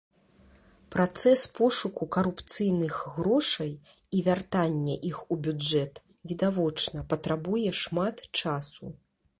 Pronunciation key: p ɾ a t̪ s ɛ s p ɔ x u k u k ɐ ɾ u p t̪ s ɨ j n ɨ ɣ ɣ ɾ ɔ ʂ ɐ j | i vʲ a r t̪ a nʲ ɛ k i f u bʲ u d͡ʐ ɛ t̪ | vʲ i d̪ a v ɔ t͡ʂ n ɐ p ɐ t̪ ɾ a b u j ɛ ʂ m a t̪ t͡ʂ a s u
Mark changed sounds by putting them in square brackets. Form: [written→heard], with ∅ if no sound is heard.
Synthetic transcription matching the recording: p ɾ a t̪ s ɛ s p ɔ [x→ʂ] u k u k ɐ ɾ u p t̪ s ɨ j n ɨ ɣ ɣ ɾ ɔ ʂ ɐ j | i vʲ a r t̪ a [nʲ→nʲː] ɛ [k→ʔ] i [f→x] u bʲ u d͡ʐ ɛ t̪ | vʲ i d̪ a v ɔ t͡ʂ n ɐ p ɐ t̪ ɾ a b u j ɛ ʂ m a t̪ t͡ʂ a s u

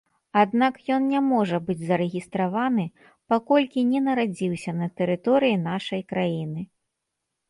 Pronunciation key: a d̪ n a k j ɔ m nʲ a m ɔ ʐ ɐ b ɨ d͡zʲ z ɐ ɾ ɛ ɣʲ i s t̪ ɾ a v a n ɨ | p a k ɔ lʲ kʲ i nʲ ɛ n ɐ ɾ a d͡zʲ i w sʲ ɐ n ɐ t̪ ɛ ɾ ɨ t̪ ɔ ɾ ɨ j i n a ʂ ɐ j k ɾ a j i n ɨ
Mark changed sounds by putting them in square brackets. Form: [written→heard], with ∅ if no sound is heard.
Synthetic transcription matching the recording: a d̪ n a k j ɔ [m→n] nʲ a m ɔ ʐ ɐ b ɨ d͡zʲ z ɐ ɾ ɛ ɣʲ i s t̪ ɾ a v a n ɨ | p a k ɔ lʲ kʲ i nʲ ɛ n ɐ ɾ a d͡zʲ i w sʲ ɐ n ɐ t̪ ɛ ɾ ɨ t̪ ɔ ɾ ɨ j i n a ʂ ɐ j k ɾ a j i n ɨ

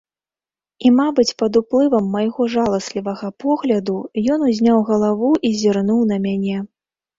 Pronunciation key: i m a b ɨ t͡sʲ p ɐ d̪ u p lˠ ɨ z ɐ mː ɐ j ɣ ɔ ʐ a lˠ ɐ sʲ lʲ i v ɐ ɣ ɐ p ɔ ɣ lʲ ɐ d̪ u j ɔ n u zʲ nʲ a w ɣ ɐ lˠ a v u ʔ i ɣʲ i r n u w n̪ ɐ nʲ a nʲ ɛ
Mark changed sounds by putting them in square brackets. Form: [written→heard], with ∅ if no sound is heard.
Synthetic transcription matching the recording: i m a b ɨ t͡sʲ p ɐ d̪ u p lˠ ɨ [z→v] ɐ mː ɐ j ɣ ɔ ʐ a lˠ ɐ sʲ lʲ i v ɐ ɣ ɐ p ɔ ɣ lʲ ɐ d̪ u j ɔ n u zʲ nʲ a w ɣ ɐ lˠ a v u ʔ i [ɣʲ→zʲ] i r n u w n̪ ɐ [nʲ→mʲ] a nʲ ɛ

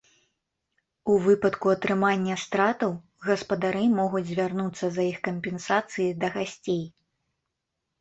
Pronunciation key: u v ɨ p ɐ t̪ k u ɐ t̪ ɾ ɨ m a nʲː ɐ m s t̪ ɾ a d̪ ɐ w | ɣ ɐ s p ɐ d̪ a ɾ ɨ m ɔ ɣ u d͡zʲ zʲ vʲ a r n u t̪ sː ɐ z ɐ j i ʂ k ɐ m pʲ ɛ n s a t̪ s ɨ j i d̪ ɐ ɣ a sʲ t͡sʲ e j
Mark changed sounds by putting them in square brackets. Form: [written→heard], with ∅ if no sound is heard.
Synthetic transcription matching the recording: u v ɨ p ɐ t̪ k u ɐ t̪ ɾ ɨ m a nʲː ɐ [m→∅] s t̪ ɾ a [d̪→t̪] ɐ w | ɣ ɐ s p ɐ d̪ a ɾ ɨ m ɔ ɣ u d͡zʲ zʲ vʲ a r n u t̪ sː ɐ z ɐ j i [ʂ→x] k ɐ m pʲ ɛ n s a t̪ s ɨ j i d̪ ɐ ɣ a sʲ t͡sʲ e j

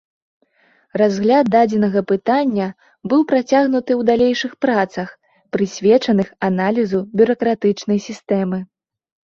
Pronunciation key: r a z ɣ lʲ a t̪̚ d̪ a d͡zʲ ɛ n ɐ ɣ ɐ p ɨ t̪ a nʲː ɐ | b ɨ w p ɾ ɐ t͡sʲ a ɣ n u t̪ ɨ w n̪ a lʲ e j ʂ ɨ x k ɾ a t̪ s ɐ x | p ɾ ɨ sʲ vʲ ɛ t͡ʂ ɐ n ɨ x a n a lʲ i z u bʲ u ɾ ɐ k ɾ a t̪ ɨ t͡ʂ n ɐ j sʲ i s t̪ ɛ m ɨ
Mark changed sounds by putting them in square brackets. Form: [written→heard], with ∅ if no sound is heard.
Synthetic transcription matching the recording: r a z ɣ lʲ a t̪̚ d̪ a d͡zʲ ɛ n ɐ ɣ ɐ p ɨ t̪ a nʲː ɐ | b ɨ w p ɾ [ɐ→a] t͡sʲ a ɣ n u t̪ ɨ w [n̪→d̪] a lʲ e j ʂ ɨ x [k→p] ɾ a t̪ s ɐ x | p ɾ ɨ sʲ vʲ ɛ t͡ʂ ɐ n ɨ x a n a lʲ i z u bʲ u ɾ ɐ k ɾ a t̪ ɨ t͡ʂ n ɐ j sʲ i s t̪ ɛ m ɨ

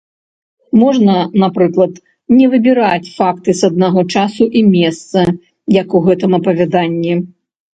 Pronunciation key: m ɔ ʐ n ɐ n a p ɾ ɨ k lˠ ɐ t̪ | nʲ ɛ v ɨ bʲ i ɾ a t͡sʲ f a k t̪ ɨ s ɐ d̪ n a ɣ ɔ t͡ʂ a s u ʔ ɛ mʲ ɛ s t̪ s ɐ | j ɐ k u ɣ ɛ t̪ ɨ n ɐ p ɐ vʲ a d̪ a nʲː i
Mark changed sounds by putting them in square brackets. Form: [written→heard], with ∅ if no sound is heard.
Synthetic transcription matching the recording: m ɔ ʐ n ɐ n a p ɾ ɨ k lˠ ɐ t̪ | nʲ ɛ v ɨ bʲ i ɾ a t͡sʲ f a k t̪ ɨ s ɐ d̪ n a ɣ ɔ t͡ʂ a s u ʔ [ɛ→i] mʲ ɛ s t̪ s ɐ | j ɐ k u ɣ ɛ t̪ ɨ [n→m] ɐ p ɐ vʲ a d̪ a nʲː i

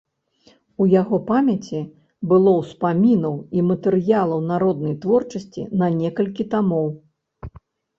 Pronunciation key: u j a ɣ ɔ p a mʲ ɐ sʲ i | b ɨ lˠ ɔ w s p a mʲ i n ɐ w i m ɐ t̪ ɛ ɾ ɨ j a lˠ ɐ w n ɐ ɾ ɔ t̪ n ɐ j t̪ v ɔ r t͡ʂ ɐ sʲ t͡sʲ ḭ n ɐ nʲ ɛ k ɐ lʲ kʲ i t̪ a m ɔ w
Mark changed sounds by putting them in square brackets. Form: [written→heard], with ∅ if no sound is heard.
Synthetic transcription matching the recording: u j a ɣ ɔ p a mʲ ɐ [sʲ→t͡sʲ] i | b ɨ lˠ ɔ w s p a mʲ i n ɐ w i m ɐ t̪ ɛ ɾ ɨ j a lˠ ɐ w n [ɐ→a] ɾ ɔ [t̪→d̪] n ɐ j t̪ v ɔ r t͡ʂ ɐ sʲ t͡sʲ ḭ n ɐ nʲ ɛ k ɐ lʲ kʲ i t̪ a m ɔ w

